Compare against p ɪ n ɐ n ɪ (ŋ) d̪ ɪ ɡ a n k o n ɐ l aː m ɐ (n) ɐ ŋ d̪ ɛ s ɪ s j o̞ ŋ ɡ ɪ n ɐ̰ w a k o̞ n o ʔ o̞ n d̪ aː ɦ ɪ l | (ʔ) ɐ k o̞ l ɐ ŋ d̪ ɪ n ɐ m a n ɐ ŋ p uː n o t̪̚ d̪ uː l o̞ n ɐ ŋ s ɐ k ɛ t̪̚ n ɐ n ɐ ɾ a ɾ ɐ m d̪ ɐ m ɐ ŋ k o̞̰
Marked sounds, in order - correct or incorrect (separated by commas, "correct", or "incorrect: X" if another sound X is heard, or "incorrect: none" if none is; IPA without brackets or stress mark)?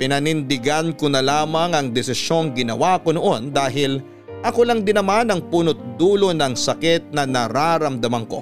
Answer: incorrect: n, incorrect: ŋ, correct